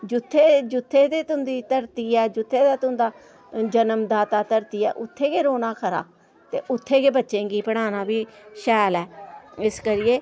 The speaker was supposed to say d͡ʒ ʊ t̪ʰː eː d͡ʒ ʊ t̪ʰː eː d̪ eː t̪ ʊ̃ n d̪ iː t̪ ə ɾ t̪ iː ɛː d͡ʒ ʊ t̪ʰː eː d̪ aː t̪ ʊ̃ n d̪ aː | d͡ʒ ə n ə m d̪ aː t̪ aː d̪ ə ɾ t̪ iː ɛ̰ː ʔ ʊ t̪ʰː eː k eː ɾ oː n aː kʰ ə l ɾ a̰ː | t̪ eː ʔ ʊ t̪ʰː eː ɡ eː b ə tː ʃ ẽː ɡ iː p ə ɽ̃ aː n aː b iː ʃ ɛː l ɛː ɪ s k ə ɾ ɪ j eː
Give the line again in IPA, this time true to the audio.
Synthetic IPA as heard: d͡ʒ ʊ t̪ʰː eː d͡ʒ ʊ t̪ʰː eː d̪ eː t̪ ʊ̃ n d̪ iː t̪ ə ɾ t̪ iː ɛː d͡ʒ ʊ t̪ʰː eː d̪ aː t̪ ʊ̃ n d̪ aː | d͡ʒ ə n ə m d̪ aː t̪ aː t̪ ə ɾ t̪ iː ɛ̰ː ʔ ʊ t̪ʰː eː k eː ɾ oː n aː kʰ ə ɾ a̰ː | t̪ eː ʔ ʊ t̪ʰː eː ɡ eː b ə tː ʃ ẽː ɡ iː p ə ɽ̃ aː n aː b iː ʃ ɛː l ɛː ɪ s k ə ɾ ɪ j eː